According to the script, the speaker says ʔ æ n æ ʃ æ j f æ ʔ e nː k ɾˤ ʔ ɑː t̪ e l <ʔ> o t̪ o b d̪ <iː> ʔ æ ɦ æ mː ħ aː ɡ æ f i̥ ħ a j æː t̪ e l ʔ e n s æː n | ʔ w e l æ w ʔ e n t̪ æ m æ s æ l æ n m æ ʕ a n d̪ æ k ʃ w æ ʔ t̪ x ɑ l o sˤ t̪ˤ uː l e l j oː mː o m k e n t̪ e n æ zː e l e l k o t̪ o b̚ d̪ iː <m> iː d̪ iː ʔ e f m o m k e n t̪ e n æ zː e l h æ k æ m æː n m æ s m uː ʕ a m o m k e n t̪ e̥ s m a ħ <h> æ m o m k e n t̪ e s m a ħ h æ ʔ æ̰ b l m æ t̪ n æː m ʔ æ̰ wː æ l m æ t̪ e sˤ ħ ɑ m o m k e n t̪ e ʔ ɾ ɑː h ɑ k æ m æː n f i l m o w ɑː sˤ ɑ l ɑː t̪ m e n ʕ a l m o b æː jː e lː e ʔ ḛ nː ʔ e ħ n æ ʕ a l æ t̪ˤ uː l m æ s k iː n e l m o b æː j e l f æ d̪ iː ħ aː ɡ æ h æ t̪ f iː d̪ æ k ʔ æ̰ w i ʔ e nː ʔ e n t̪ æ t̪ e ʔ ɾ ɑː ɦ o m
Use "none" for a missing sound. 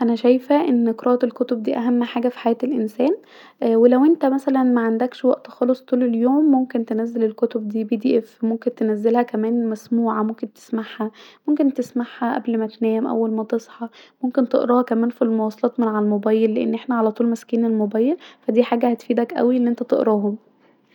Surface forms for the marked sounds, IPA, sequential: k, iː, b, h

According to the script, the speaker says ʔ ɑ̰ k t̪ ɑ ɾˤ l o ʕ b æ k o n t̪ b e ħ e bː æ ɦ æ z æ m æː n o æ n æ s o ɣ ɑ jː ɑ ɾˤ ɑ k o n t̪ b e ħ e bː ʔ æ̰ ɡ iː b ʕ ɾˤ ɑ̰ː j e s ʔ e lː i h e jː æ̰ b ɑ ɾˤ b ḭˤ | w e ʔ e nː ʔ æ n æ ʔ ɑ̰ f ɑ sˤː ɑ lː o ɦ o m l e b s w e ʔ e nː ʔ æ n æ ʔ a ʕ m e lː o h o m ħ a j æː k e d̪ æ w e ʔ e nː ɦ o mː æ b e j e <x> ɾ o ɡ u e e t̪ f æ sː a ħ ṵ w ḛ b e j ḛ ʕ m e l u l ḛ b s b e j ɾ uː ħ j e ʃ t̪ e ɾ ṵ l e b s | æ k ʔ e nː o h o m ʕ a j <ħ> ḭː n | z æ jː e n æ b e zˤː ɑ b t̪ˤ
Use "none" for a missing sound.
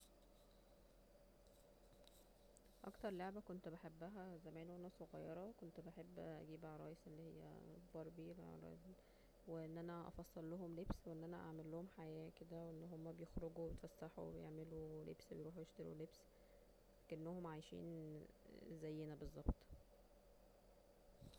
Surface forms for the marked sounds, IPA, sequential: x, ʃ

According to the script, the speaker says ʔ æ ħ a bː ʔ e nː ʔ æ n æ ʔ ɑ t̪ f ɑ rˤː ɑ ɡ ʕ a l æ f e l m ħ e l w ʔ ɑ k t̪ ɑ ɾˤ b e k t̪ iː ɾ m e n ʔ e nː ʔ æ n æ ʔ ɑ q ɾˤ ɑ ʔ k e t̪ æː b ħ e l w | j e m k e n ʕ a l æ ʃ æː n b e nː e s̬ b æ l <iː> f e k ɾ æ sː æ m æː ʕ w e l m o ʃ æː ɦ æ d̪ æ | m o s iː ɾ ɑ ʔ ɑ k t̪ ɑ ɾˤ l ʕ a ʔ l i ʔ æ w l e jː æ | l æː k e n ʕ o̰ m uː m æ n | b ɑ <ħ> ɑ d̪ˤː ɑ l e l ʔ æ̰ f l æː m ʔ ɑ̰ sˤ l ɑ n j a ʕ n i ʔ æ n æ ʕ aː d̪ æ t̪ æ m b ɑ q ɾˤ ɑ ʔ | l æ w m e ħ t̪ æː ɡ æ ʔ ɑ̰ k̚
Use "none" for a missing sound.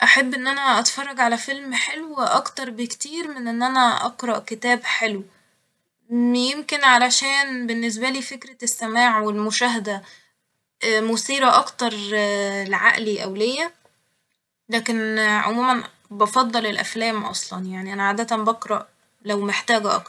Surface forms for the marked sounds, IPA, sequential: iː, f

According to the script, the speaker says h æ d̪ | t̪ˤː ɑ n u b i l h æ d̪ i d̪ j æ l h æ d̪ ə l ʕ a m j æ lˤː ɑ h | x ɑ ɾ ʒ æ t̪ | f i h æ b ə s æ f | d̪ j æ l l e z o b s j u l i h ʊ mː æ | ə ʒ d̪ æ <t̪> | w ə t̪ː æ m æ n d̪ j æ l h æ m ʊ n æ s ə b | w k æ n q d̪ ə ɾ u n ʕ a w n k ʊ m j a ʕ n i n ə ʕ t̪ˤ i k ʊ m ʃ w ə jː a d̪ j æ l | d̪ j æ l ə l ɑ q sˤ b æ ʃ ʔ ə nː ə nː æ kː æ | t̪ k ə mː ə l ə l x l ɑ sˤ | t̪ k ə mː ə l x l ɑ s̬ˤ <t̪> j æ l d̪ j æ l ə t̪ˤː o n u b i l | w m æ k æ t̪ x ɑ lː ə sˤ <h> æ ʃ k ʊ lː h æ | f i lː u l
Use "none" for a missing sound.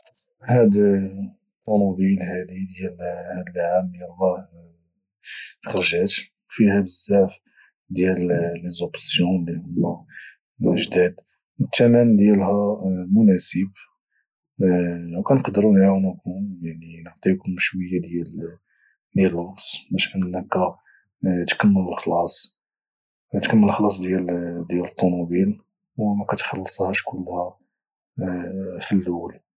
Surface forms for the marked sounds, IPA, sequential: d̪, d̪, h

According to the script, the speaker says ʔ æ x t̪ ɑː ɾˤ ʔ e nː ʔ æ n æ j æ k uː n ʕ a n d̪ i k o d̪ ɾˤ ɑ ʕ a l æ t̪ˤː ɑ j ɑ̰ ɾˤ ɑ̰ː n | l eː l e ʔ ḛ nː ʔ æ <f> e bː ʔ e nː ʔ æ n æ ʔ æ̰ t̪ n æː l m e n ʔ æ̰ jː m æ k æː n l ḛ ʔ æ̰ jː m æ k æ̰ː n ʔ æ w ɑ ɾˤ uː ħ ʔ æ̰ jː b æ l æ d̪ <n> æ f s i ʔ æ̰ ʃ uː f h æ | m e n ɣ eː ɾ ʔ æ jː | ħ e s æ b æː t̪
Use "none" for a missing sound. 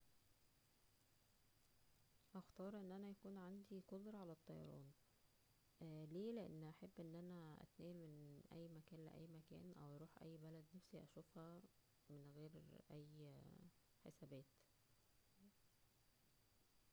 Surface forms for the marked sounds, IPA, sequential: ħ, n

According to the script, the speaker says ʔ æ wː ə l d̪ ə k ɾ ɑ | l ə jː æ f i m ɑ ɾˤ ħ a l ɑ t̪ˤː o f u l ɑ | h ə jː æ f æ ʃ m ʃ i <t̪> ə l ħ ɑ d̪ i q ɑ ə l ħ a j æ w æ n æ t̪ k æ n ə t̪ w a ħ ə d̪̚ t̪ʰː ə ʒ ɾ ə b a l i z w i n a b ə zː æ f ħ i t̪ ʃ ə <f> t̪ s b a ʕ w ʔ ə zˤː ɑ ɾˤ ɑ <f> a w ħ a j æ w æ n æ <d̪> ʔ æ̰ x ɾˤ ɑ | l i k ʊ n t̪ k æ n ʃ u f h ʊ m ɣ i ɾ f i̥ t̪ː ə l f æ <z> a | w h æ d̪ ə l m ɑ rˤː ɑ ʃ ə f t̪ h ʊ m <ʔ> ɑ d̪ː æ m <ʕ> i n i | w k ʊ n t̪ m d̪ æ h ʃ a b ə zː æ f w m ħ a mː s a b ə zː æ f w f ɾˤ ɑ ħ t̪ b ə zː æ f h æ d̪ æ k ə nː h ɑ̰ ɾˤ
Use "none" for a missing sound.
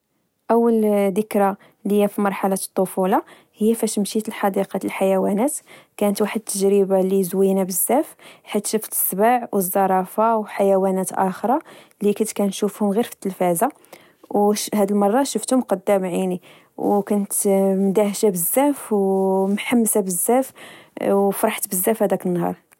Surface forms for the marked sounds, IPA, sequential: t̪, f, f, t̪, z, q, ʕ

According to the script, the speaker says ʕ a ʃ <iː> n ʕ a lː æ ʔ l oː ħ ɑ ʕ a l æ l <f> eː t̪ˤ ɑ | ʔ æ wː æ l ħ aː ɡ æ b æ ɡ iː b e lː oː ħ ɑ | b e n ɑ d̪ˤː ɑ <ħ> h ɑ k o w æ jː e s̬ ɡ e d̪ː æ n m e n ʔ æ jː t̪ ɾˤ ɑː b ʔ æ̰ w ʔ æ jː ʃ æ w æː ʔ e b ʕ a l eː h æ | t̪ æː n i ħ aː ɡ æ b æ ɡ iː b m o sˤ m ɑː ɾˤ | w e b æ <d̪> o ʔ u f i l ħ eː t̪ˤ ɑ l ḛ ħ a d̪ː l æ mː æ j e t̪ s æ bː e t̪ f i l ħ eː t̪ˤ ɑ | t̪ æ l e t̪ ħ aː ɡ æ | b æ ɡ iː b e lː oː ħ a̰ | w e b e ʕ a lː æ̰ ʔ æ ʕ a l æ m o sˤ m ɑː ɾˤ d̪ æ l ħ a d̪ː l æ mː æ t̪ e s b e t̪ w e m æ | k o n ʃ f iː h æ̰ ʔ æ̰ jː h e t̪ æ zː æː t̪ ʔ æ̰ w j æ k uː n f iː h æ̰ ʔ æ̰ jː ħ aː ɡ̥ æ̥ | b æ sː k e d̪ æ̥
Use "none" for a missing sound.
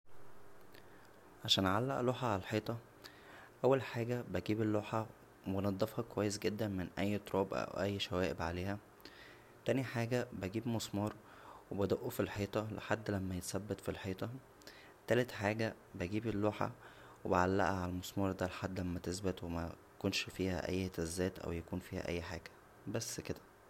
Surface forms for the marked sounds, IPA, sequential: æː, ħ, f, d̪

